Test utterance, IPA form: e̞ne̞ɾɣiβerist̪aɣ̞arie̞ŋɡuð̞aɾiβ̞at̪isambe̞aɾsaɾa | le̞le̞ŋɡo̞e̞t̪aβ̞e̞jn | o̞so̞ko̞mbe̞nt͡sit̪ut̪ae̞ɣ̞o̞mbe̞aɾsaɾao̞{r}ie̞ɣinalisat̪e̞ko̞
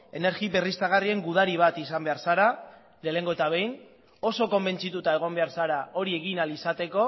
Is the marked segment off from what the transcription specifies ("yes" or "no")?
yes